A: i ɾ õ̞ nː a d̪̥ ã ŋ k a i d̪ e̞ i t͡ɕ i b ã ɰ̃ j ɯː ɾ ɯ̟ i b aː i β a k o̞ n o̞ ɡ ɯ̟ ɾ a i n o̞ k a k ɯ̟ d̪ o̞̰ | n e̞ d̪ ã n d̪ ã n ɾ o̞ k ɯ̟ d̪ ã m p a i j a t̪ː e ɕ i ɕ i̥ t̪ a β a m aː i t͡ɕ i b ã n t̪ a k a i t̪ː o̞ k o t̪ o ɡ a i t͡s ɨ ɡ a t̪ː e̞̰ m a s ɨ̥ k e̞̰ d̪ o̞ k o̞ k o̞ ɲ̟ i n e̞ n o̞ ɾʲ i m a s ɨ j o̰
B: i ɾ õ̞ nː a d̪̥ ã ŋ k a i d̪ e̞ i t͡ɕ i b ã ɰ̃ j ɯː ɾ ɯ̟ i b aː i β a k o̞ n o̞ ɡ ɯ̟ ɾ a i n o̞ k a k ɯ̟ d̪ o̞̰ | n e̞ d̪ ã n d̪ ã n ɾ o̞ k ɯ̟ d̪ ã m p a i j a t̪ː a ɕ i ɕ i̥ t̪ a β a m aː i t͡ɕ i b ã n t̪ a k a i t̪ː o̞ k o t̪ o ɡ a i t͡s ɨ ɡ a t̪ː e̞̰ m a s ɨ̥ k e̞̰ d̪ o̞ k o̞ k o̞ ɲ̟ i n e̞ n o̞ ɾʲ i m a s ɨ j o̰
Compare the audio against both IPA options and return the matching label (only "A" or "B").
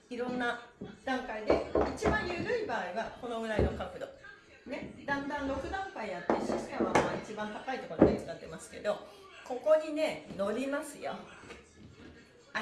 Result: A